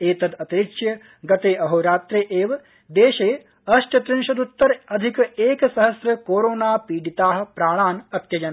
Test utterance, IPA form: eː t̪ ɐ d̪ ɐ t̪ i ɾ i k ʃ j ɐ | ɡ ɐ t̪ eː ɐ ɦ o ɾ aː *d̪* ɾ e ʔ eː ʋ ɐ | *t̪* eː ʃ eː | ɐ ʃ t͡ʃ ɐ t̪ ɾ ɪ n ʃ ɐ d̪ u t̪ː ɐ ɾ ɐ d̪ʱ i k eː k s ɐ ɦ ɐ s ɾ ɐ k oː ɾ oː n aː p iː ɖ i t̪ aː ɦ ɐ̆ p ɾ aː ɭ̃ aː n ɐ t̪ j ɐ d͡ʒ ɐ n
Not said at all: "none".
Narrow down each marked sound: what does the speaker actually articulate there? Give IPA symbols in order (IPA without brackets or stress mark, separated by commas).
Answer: t̪, d̪